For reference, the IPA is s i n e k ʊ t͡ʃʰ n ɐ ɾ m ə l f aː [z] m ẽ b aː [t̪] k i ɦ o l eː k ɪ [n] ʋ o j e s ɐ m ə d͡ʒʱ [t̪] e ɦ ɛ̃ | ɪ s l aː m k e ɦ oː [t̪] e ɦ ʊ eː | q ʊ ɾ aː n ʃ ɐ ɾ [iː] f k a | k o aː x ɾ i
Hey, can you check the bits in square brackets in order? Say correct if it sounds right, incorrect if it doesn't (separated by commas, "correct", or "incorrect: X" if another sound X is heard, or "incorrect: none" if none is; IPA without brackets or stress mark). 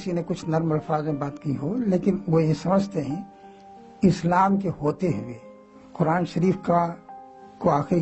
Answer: correct, correct, correct, correct, correct, correct